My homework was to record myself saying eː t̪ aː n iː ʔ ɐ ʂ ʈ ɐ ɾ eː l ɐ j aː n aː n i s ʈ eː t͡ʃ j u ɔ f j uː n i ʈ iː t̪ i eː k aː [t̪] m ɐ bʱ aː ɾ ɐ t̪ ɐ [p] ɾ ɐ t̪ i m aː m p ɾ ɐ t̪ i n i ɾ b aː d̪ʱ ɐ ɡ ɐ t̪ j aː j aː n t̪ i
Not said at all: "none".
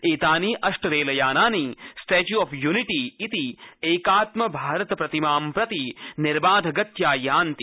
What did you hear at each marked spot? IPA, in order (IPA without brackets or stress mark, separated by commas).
t̪, p